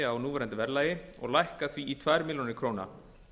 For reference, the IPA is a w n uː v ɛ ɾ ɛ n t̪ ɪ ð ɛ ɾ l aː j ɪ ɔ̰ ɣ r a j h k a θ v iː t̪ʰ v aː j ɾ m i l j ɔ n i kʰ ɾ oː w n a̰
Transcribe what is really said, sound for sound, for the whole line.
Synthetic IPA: a w n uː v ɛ ɾ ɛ n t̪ ɪ v ɛ ɾ l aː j ɪ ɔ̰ ɣ l a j h k a θ v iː t̪ʰ v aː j ɾ m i l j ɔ n ɪ kʰ ɾ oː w n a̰